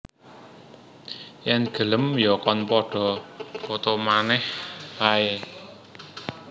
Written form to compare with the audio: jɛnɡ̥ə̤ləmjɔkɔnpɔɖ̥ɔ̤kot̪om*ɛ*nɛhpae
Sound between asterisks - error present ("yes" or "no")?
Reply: yes